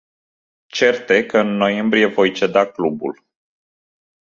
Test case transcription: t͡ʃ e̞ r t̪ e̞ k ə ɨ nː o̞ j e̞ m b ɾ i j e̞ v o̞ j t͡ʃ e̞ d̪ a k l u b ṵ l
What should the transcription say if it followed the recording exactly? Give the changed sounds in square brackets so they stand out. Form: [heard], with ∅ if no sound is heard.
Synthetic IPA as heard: t͡ʃ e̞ r t̪ e̞ k ə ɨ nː o̞ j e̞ m b ɾ i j e̞ v o̞ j t͡ʃ e̞ d̪ a k l u b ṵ l